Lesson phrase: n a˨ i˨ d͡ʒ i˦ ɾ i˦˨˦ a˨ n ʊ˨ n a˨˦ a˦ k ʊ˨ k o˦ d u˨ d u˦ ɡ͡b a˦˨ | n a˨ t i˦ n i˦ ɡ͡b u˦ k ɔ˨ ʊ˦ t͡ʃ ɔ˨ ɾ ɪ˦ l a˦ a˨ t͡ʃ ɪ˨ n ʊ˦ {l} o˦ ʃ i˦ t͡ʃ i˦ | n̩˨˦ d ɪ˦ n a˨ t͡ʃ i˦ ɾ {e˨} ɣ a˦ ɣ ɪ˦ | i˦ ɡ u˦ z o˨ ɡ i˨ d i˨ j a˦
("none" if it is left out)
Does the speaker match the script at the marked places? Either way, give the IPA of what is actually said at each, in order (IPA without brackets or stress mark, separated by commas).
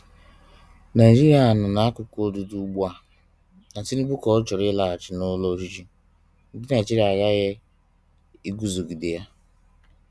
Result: l, a˨